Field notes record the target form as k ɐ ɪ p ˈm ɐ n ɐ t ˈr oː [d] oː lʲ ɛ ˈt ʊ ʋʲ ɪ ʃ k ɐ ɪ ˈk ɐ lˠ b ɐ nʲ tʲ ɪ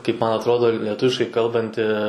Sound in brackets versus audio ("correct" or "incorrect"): correct